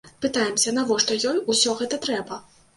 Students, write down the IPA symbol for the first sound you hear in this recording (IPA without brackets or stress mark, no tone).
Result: p